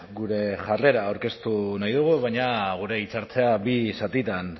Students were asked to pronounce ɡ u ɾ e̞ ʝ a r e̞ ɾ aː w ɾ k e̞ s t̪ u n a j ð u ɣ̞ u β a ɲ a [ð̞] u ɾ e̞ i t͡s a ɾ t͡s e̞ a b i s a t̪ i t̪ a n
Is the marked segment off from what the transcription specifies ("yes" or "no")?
yes